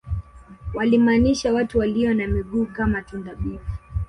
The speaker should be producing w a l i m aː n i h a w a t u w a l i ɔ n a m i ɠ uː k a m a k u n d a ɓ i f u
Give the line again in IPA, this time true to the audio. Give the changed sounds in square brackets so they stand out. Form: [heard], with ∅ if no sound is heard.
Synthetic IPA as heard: w a l i m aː n i [ʃ] a w a t u w a l i ɔ n a m i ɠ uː k a m a [t] u n d a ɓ i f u